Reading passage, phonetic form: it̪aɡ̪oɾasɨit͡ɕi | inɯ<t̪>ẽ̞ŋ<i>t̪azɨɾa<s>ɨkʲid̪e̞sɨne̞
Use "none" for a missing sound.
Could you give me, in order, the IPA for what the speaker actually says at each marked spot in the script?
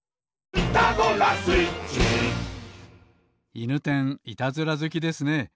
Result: t̪, i, z

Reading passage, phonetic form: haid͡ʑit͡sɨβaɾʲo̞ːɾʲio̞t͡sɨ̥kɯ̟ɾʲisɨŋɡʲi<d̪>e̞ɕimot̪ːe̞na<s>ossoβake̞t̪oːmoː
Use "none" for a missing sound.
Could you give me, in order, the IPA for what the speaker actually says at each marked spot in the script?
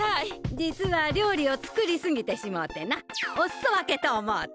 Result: t̪, none

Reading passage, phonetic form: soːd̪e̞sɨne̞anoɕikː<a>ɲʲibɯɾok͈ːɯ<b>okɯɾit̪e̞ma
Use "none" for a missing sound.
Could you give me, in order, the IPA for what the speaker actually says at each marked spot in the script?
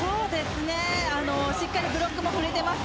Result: a, m

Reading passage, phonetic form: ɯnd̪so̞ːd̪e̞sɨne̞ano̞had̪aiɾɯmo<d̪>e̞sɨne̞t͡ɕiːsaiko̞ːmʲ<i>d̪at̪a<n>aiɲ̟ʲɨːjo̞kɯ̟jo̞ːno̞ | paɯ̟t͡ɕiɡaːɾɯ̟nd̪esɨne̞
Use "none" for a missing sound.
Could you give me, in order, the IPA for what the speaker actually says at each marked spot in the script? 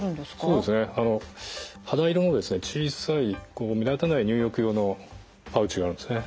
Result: d̪, i, n

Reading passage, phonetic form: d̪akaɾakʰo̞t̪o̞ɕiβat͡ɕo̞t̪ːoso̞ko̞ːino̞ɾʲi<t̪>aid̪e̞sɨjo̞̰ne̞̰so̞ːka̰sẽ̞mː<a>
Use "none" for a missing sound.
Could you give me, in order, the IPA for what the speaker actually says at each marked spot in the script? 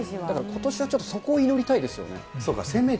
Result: t̪, e

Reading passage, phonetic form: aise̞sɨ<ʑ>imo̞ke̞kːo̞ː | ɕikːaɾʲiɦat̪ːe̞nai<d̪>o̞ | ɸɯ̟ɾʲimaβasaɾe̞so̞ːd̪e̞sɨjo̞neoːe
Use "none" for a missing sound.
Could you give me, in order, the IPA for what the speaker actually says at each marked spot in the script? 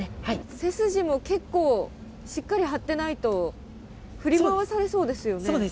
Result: ʑ, t̪

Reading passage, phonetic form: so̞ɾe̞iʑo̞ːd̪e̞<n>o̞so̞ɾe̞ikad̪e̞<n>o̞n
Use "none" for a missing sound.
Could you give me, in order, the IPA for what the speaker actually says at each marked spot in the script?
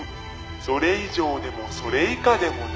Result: m, m

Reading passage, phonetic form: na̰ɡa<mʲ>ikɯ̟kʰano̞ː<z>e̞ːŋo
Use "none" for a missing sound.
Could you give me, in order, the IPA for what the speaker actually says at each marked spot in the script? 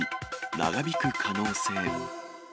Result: bʲ, s

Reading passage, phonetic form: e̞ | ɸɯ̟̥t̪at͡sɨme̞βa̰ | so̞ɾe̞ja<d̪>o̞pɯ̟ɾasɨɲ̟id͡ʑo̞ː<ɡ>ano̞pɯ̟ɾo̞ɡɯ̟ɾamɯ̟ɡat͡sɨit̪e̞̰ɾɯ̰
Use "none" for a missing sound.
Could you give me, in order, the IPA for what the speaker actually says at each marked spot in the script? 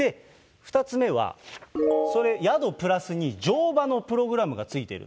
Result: d̪, b

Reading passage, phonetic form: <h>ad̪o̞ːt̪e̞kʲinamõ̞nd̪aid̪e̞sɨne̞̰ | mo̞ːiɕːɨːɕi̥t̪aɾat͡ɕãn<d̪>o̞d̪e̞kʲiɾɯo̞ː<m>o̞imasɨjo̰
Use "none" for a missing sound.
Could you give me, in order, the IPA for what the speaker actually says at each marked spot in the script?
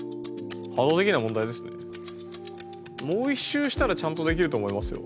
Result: h, t̪, m

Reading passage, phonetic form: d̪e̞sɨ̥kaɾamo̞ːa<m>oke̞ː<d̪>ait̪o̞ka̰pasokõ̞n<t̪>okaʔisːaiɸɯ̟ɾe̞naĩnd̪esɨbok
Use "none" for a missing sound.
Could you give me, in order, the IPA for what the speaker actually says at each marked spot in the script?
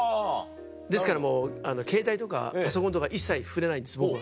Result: n, t̪, t̪

